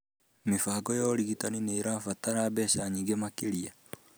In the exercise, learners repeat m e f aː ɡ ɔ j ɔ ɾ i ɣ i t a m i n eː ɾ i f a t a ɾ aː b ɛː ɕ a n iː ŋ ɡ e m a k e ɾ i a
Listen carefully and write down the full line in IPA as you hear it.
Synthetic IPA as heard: m e f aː ɡ ɔ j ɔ ɾ i ɣ i t a n i n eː ɾ a f a t a ɾ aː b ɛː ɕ a ɲ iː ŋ ɡ e m a k e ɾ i a